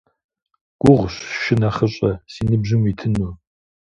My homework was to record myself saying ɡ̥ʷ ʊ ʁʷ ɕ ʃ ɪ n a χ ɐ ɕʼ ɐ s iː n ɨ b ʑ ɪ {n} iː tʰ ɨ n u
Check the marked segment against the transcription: incorrect: m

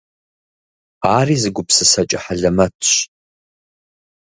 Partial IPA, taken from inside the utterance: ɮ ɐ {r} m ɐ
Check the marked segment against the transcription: incorrect: none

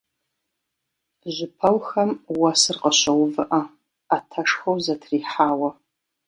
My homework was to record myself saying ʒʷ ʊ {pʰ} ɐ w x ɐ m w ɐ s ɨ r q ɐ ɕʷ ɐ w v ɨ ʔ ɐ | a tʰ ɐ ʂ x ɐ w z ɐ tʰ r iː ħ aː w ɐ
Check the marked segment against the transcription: correct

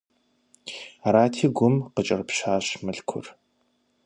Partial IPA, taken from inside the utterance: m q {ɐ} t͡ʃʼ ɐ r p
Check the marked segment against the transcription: incorrect: ə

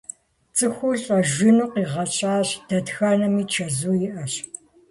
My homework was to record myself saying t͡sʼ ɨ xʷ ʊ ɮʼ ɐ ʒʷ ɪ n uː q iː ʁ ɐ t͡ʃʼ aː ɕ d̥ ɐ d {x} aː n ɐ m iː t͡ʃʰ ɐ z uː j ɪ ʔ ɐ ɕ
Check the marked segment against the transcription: correct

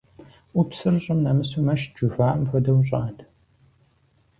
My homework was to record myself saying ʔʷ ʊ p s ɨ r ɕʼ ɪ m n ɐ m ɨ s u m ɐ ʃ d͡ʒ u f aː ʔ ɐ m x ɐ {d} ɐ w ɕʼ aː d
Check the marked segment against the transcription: correct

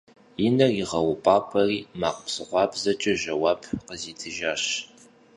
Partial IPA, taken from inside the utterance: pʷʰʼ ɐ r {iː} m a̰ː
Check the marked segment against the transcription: correct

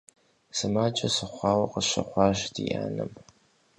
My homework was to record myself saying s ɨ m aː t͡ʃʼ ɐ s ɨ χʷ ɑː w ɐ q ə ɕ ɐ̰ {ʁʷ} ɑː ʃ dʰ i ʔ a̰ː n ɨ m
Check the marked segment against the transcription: incorrect: χʷ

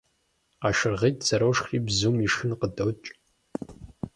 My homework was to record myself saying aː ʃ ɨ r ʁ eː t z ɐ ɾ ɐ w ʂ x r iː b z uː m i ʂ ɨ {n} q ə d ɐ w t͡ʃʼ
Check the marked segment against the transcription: correct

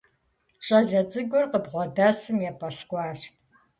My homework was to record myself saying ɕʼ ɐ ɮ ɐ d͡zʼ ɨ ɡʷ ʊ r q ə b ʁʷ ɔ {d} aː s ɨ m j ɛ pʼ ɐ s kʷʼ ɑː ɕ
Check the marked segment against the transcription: correct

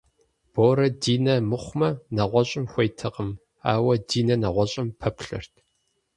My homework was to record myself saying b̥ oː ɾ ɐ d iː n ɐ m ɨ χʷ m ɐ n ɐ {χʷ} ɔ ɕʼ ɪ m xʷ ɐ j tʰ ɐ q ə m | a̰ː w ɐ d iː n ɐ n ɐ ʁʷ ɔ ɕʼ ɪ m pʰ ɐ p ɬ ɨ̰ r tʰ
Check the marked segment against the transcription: incorrect: ʁʷ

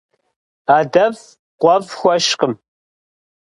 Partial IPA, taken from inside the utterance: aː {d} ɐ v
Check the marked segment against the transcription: correct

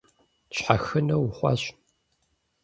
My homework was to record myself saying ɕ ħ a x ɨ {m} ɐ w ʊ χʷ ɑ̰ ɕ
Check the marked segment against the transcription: incorrect: n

